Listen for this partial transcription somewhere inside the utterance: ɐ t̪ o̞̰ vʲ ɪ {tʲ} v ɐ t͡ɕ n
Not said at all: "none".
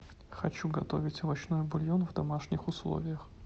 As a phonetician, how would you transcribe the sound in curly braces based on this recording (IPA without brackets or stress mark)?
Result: tʲ